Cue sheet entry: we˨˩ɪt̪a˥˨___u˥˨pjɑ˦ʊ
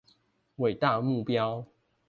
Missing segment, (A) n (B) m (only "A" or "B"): B